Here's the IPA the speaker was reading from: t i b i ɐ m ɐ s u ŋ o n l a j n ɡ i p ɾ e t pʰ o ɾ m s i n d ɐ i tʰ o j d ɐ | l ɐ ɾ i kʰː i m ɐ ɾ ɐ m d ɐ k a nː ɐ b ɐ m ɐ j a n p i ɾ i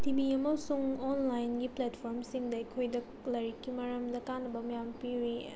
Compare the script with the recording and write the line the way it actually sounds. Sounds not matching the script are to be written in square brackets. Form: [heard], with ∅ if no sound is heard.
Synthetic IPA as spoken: t i b i ɐ m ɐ s u ŋ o n l a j n ɡ i p [l] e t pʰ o ɾ m s i [ŋ] d ɐ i [kʰ] o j d ɐ | l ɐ ɾ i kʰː i m ɐ ɾ ɐ m d ɐ k a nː ɐ b ɐ m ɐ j a [m] p i ɾ i